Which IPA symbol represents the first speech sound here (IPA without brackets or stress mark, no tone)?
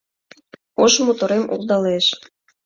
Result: o